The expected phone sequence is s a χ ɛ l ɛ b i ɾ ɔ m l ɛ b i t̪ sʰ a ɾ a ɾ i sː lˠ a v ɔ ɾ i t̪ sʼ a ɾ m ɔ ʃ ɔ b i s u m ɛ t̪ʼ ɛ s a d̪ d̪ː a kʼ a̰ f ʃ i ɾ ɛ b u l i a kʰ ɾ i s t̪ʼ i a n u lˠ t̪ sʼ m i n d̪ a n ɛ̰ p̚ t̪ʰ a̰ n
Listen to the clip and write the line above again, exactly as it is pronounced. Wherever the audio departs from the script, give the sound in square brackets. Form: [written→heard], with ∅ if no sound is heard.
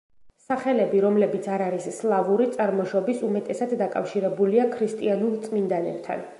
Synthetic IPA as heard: s a χ ɛ l ɛ b i ɾ ɔ m l ɛ b i t̪ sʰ a ɾ a ɾ i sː lˠ a v [ɔ→u] ɾ i t̪ sʼ a ɾ m ɔ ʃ ɔ b i s u m ɛ t̪ʼ ɛ s a d̪ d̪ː a kʼ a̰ f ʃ i ɾ ɛ b u l i a kʰ ɾ i s t̪ʼ i a n u lˠ t̪ sʼ m i n d̪ a n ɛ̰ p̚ t̪ʰ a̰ n

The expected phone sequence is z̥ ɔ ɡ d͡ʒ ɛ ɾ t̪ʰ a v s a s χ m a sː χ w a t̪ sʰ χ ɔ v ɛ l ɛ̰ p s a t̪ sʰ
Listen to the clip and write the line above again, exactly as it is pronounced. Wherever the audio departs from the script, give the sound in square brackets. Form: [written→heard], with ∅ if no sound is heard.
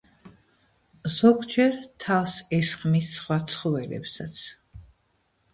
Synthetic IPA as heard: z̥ ɔ ɡ d͡ʒ ɛ ɾ t̪ʰ a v s [a→ɛ] s χ m [a→i] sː χ w a t̪ sʰ χ ɔ v ɛ l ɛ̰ p s a t̪ sʰ

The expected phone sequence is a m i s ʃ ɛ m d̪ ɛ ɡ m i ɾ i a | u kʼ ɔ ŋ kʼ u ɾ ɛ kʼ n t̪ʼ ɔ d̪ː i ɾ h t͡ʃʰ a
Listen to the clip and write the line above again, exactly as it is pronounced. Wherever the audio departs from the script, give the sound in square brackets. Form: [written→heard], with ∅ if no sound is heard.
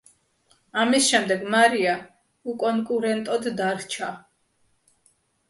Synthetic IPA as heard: a m i s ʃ ɛ m d̪ ɛ ɡ m [i→a] ɾ i a | u kʼ ɔ ŋ kʼ u ɾ ɛ [kʼ→∅] n t̪ʼ ɔ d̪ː [i→a] ɾ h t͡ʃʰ a

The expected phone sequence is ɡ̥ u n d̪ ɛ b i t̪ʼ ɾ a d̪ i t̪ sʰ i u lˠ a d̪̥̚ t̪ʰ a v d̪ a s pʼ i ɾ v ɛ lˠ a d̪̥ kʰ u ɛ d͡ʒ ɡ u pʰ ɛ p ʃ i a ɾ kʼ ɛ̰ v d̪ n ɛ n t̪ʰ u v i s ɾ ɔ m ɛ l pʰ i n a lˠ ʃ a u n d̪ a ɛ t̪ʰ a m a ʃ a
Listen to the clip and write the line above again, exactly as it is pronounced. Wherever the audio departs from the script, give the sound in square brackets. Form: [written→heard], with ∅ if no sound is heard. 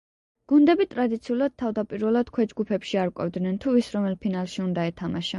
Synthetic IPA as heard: ɡ̥ u n d̪ ɛ b i t̪ʼ ɾ a d̪ i t̪ sʰ i u lˠ a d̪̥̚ t̪ʰ a v d̪ a [s→∅] pʼ i ɾ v ɛ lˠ a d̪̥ kʰ [u→w] ɛ d͡ʒ ɡ u pʰ ɛ p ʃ i a ɾ kʼ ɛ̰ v d̪ n ɛ n t̪ʰ u v i s ɾ ɔ m ɛ l pʰ i n a lˠ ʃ [a→i] u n d̪ a ɛ t̪ʰ a m a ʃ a

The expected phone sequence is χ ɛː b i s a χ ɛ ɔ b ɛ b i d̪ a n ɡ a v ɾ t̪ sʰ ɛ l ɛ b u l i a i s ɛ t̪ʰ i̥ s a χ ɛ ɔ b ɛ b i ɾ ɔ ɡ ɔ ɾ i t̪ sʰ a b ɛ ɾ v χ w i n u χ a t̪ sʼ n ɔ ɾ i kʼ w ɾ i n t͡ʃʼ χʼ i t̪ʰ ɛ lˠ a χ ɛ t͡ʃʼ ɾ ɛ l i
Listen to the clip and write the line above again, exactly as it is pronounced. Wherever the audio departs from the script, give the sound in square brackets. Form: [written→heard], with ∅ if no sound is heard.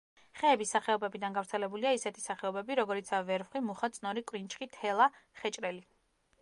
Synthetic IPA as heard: χ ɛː b i s a χ ɛ ɔ b ɛ b i d̪ a n ɡ a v ɾ t̪ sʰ ɛ l ɛ b u l i a i s ɛ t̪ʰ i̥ s a χ ɛ ɔ b ɛ b i ɾ ɔ ɡ ɔ ɾ i t̪ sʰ a [b→v] ɛ ɾ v χ w i [n→m] u χ a t̪ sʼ n ɔ ɾ i kʼ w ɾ i n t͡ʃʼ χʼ i t̪ʰ ɛ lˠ a χ ɛ t͡ʃʼ ɾ ɛ l i

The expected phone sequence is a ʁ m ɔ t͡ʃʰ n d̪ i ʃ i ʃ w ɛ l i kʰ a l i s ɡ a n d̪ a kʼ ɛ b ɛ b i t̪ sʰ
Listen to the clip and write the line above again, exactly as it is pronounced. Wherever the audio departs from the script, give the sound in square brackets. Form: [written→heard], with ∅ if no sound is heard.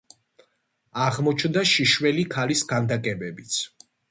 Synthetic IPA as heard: a ʁ m ɔ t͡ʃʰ n d̪ [i→a] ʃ i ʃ w ɛ l i kʰ a l i s ɡ a n d̪ a kʼ ɛ b ɛ b i t̪ sʰ

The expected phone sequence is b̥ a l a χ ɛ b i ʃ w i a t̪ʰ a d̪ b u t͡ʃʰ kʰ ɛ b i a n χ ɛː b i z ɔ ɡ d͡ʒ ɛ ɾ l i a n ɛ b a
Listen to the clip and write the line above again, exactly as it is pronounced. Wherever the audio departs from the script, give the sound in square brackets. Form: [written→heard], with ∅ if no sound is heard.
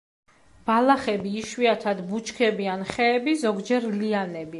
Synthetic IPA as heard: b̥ a l a χ ɛ b [i→iː] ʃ w i a t̪ʰ a d̪ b u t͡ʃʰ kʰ ɛ b i a n χ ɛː b i z ɔ ɡ d͡ʒ ɛ ɾ l i a n ɛ b [a→i]

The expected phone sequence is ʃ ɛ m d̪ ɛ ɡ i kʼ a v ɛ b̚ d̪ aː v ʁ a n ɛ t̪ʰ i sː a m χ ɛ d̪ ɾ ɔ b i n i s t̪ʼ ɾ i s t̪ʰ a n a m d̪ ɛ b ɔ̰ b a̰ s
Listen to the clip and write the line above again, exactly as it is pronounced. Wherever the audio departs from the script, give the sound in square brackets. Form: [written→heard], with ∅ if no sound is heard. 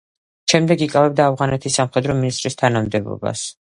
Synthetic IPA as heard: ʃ ɛ m d̪ ɛ ɡ i kʼ a v ɛ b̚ d̪ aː v ʁ a n ɛ t̪ʰ i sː a m χ ɛ d̪ ɾ ɔ [b→m] i n i s t̪ʼ ɾ i s t̪ʰ a n a m d̪ ɛ b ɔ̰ b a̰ s

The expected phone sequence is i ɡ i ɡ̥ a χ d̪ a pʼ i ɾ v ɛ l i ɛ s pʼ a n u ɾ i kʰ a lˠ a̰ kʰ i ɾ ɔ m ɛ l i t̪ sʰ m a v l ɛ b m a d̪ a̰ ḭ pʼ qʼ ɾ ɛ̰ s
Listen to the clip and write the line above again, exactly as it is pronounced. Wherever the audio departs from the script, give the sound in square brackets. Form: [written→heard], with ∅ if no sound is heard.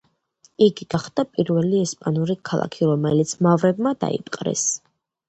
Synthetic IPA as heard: i ɡ i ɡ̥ a χ d̪ a pʼ i ɾ v ɛ l i ɛ s pʼ a n u ɾ i kʰ a lˠ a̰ kʰ i ɾ ɔ m ɛ l i t̪ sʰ m a v [l→ɾ] ɛ b m a d̪ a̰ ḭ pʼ qʼ ɾ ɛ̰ s

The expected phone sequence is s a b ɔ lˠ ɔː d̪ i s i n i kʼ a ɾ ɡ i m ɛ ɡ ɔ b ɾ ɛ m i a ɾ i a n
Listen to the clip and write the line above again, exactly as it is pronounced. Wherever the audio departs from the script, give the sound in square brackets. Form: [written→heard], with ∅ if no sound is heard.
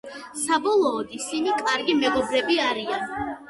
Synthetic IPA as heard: s a b ɔ lˠ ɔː d̪ i s i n i kʼ a ɾ ɡ i m ɛ ɡ ɔ b ɾ ɛ [m→b] i a ɾ i a n

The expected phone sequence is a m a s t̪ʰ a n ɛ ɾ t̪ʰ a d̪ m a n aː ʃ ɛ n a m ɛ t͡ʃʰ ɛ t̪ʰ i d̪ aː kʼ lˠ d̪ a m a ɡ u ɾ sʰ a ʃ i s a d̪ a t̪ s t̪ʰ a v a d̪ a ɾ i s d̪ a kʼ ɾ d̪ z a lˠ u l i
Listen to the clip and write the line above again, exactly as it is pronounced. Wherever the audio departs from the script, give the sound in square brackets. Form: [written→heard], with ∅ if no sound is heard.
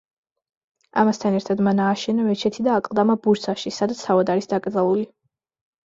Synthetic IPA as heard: a m a s t̪ʰ a n ɛ ɾ t̪ʰ a d̪ m a n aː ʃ ɛ n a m ɛ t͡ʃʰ ɛ t̪ʰ i d̪ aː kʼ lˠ d̪ a m a [ɡ→b] u ɾ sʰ a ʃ i s a d̪ a t̪ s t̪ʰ a v a d̪ a ɾ i s d̪ a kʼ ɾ d̪ z a lˠ u l i

